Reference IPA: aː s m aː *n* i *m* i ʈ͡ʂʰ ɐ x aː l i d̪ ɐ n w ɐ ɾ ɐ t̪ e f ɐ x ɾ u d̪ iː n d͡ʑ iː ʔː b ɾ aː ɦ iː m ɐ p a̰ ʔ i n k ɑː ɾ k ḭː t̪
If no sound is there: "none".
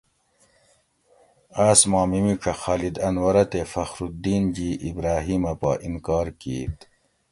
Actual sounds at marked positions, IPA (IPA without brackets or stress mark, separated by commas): m, m